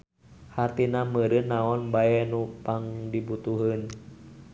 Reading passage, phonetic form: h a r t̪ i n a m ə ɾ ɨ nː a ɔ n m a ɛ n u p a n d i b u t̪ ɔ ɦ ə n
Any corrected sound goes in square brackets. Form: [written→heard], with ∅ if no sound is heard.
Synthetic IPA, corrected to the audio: h a r t̪ i n a m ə ɾ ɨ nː a ɔ n [m→b] a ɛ n u p a [n→ŋ] d i b u t̪ [ɔ→u] ɦ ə n